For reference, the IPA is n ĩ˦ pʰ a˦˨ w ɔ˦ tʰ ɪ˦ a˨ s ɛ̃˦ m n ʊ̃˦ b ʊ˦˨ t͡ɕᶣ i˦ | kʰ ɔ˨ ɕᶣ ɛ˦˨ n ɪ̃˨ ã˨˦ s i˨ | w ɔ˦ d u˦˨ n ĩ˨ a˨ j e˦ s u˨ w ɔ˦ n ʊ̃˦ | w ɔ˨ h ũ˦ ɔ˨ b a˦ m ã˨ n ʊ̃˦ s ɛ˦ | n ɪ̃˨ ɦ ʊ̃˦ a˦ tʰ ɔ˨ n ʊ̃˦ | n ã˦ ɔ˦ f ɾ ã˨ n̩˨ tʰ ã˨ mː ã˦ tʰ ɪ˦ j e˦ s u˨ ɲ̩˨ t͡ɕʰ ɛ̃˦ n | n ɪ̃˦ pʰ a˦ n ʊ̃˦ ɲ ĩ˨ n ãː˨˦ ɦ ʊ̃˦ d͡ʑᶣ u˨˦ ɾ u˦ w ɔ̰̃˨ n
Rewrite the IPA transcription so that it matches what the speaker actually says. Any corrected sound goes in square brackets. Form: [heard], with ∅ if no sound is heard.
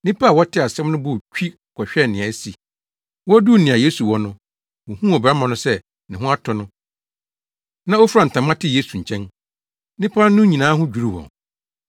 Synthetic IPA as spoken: n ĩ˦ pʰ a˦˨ w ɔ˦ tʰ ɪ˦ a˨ s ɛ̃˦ m n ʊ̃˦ b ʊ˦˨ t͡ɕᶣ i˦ | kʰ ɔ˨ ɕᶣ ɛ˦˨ n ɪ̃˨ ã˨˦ s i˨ | w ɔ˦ d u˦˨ n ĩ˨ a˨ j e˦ s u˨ w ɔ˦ n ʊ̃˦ | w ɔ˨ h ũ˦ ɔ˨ b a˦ m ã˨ n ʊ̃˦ s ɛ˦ | n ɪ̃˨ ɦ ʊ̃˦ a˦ tʰ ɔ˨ n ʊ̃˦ | n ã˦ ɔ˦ f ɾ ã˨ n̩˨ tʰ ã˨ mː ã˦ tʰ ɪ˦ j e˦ s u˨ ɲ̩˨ t͡ɕʰ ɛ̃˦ n | n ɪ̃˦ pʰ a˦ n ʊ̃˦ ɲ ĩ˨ n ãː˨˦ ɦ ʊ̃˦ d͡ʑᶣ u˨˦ ɾ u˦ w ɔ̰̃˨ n